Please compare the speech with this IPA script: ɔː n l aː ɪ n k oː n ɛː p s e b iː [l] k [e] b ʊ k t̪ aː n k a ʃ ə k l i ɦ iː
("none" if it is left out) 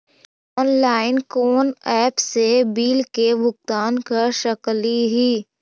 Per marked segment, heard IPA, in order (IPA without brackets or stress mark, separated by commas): l, e